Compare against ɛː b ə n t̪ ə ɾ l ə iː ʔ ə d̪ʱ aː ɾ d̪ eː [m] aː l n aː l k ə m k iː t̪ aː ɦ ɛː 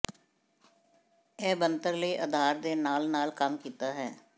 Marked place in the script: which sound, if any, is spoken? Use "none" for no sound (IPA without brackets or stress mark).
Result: n